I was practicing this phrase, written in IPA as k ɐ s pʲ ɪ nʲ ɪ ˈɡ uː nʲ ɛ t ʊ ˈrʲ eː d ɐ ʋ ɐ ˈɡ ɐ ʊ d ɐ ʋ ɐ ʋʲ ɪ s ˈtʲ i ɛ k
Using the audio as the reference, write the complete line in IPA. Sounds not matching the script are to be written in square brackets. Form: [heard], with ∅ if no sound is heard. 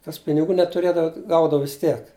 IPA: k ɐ s pʲ ɪ nʲ ɪ ˈɡ uː nʲ ɛ t ʊ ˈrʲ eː d ɐ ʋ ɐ ˈɡ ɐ ʊ d ɐ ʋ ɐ ʋʲ ɪ s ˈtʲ i ɛ k